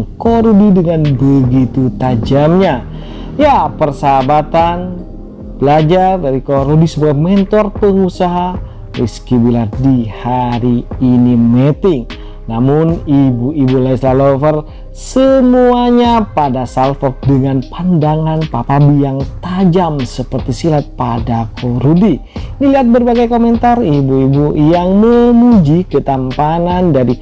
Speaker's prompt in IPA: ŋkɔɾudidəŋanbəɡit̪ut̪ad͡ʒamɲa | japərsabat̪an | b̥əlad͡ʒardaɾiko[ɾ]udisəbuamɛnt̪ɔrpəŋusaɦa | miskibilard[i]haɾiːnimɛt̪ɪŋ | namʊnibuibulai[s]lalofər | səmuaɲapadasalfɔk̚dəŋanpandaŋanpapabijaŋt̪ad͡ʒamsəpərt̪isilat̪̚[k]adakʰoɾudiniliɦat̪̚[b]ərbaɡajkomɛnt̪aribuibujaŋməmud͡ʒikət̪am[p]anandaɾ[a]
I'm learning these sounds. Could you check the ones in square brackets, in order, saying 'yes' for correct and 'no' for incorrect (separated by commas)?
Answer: yes, yes, yes, no, yes, yes, no